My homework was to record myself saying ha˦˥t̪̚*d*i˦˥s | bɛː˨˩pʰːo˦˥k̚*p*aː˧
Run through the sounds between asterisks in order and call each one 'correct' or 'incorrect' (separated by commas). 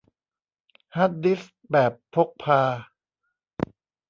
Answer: correct, incorrect